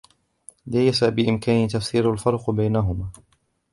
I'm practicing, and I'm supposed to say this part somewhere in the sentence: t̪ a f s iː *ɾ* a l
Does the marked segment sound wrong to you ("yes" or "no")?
no